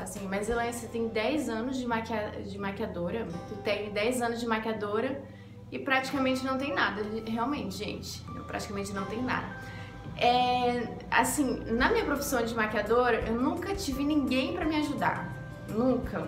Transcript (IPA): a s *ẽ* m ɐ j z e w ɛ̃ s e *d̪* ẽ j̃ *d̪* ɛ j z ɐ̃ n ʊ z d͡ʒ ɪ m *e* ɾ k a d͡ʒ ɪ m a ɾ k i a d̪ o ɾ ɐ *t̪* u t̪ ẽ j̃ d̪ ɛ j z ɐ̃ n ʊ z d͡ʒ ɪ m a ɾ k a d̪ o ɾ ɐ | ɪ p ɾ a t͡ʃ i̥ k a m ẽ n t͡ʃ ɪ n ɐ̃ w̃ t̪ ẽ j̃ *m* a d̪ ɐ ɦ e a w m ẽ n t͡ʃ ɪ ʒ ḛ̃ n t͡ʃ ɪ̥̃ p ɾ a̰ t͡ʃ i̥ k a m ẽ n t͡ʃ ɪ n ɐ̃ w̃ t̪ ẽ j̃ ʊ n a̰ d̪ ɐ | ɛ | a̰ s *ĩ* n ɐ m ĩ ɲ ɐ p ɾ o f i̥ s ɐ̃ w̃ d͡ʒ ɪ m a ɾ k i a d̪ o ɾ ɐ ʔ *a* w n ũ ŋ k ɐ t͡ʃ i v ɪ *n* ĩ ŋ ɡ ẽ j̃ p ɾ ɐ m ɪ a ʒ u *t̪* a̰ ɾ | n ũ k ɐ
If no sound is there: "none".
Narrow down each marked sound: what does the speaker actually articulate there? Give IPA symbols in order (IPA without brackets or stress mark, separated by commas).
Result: ĩ, t̪, d̪, a, t̪, n, ĩ, e, n, d̪